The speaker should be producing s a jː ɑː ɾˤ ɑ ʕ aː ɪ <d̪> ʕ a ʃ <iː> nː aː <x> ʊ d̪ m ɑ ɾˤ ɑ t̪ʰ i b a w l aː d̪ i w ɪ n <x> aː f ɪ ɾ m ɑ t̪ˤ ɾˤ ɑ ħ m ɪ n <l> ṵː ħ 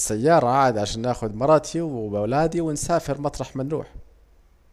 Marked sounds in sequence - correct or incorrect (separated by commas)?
correct, incorrect, correct, incorrect, incorrect